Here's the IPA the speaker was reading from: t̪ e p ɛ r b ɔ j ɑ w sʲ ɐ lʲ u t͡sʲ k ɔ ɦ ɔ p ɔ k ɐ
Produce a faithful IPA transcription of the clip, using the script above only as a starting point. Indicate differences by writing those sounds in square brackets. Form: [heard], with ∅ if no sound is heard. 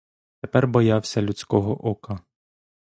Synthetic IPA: t̪ e p ɛ r b ɔ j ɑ w sʲ ɐ lʲ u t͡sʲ k ɔ ɦ ɔ [ʔ] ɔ k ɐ